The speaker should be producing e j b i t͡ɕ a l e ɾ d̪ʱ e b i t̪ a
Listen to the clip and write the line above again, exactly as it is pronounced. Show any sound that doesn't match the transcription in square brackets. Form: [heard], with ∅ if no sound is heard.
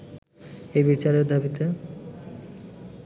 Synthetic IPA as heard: e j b i t͡ɕ a [ɾ] e ɾ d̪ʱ [a] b i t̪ [e]

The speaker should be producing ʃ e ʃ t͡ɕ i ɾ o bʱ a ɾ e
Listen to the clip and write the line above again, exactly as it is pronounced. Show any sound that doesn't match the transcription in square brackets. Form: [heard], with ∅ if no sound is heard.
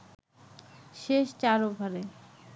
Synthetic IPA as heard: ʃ e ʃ t͡ɕ [a] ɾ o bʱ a ɾ e

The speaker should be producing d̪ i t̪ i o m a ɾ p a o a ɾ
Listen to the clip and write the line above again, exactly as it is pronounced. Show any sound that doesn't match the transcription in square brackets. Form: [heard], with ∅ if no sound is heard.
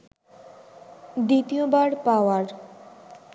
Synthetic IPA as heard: d̪ i t̪ i o [b] a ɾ p a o a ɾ

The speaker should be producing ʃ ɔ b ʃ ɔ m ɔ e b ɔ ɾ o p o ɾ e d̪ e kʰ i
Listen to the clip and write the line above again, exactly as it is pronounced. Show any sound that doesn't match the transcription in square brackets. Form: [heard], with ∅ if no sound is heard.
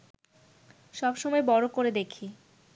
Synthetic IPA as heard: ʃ ɔ b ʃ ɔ m ɔ e b ɔ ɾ o [k] o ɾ e d̪ e kʰ i

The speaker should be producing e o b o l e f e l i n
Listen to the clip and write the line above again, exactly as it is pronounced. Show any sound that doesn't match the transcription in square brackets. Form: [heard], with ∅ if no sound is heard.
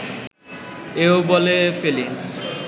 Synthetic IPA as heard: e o b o l e f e l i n

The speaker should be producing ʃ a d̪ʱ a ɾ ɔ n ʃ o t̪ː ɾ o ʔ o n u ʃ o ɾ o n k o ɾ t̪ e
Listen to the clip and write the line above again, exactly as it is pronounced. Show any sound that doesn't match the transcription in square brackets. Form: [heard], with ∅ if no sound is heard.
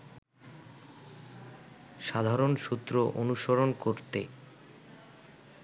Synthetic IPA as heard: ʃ a d̪ʱ a ɾ [o] n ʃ [u] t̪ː ɾ o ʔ o n u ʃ o ɾ o n k o ɾ t̪ e

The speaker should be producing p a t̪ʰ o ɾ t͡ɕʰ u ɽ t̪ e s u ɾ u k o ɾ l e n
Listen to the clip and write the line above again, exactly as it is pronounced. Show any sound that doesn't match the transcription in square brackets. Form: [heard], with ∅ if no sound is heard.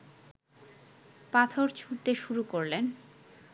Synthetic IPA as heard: p a t̪ʰ o ɾ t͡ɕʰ u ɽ t̪ e [ʃ] u ɾ u k o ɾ l e n

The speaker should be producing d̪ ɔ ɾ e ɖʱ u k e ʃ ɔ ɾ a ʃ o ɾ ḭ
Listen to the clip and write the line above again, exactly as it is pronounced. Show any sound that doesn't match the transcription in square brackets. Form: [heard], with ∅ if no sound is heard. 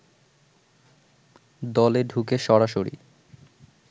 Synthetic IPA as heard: d̪ ɔ [l] e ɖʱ u k e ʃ ɔ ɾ a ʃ o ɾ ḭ

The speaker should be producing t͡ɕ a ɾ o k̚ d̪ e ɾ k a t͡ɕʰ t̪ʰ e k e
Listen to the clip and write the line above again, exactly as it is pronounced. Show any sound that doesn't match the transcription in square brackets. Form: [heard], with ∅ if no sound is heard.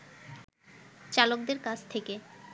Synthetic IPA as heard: t͡ɕ a [l] o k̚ d̪ e ɾ k a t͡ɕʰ t̪ʰ e k e

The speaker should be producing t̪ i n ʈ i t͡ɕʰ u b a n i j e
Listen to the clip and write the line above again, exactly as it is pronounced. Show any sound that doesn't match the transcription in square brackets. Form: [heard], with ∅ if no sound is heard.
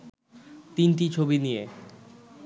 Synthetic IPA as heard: t̪ i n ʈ i t͡ɕʰ [o] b [i] n i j e

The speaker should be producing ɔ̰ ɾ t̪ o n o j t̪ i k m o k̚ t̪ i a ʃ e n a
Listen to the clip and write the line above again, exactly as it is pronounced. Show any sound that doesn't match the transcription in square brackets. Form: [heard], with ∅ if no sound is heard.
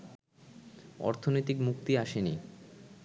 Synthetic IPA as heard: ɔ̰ ɾ [t̪ʰ] o n o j t̪ i k m [u] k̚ t̪ i a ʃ e n [i]

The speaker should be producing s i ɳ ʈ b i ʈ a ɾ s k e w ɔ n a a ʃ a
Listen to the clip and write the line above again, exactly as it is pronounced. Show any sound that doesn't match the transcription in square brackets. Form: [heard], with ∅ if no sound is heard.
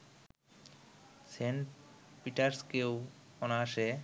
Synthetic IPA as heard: s [e] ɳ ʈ [p] i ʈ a ɾ s k e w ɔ n a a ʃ [e]

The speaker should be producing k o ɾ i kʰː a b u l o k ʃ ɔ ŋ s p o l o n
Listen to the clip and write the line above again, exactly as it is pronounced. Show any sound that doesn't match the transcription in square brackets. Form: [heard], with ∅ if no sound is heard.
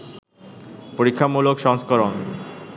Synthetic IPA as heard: [p] o ɾ i kʰː a [m] u l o k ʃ ɔ ŋ s [k] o [ɾ] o n

